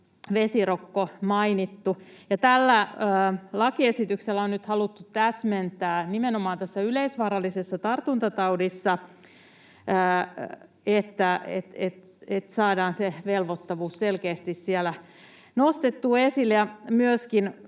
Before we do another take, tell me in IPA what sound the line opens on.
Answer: ʋ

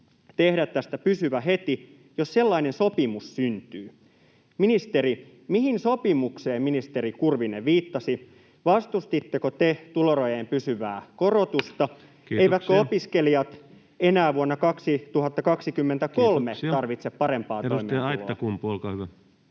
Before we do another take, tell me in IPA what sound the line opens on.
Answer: t̪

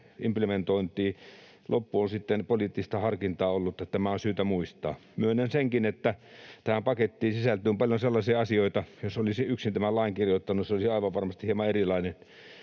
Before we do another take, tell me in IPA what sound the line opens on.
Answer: i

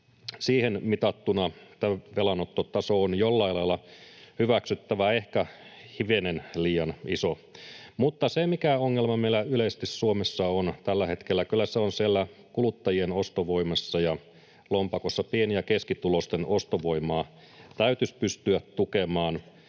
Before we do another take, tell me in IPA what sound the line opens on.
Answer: s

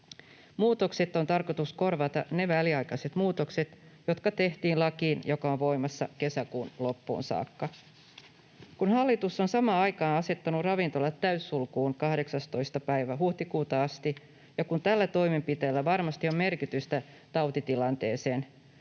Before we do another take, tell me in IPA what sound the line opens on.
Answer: m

